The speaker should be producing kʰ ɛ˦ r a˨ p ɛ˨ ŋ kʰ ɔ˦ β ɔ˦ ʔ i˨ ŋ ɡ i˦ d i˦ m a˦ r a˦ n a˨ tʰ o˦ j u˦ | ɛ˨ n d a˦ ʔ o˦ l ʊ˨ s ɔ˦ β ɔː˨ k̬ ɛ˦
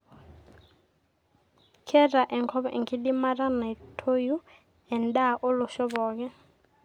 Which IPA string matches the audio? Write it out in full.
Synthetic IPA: kʰ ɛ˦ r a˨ ʔ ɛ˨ ŋ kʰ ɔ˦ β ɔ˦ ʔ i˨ ŋ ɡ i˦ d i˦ m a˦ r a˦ n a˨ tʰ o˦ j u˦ | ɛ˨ n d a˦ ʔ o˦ l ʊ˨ ʃ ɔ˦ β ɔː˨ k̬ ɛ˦